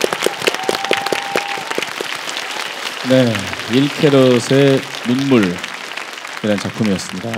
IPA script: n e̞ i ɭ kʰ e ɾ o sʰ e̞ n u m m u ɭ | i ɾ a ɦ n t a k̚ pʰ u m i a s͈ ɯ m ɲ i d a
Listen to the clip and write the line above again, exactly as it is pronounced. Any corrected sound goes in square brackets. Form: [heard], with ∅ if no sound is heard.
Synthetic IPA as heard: n e̞ i ɭ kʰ e ɾ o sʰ e̞ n u [n] m u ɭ | i ɾ a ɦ n [t͡ɕ] a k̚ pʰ u m i [ʌ] s͈ ɯ m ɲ i d a